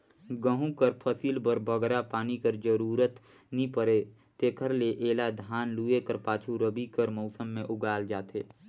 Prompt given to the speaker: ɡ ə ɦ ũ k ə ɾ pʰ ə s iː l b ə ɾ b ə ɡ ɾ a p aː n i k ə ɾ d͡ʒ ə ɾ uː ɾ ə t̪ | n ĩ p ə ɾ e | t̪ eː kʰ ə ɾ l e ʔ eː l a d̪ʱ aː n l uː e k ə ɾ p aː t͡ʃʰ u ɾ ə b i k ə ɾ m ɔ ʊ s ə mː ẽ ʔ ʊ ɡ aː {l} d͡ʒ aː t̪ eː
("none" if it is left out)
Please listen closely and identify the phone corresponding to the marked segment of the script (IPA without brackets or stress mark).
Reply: l